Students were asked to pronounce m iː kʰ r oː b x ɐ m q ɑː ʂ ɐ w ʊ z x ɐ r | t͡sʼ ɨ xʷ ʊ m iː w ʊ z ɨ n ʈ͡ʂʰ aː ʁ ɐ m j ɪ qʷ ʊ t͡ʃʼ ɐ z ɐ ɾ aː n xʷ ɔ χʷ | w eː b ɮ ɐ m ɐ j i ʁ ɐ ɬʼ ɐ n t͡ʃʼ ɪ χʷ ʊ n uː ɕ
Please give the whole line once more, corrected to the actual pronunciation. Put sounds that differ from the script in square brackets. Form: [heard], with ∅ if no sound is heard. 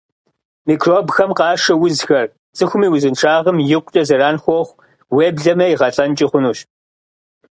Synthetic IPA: m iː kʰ r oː b x ɐ m q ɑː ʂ ɐ w ʊ z x ɐ r | t͡sʼ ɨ xʷ ʊ m iː w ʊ z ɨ n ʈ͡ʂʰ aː ʁ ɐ m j ɪ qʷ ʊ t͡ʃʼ ɐ z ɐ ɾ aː n xʷ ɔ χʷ | w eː b ɮ ɐ m ɐ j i ʁ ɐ ɬʼ ɐ n t͡ʃʼ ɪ χʷ ʊ n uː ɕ